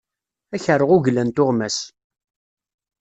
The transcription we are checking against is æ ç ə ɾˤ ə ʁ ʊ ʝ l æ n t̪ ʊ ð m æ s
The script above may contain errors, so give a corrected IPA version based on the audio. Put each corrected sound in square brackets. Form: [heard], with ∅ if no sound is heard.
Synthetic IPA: æ ç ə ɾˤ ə ʁ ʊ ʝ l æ n t̪ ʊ [ʁ] m æ s